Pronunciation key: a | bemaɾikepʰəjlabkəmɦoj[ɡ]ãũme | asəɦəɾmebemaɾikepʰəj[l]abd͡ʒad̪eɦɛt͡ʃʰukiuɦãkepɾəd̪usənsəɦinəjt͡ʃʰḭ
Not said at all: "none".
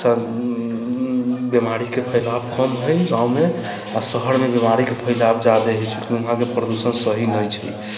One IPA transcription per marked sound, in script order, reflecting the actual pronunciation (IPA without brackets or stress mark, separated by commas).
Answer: ɡ, l